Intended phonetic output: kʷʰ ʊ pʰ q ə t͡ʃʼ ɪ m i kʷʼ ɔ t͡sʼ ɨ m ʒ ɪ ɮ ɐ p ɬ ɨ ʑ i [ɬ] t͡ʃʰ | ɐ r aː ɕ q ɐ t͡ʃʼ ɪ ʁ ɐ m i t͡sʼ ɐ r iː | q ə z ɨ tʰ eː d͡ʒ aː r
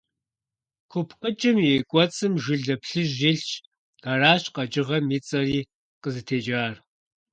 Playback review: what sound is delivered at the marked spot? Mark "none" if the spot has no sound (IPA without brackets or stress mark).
ɬ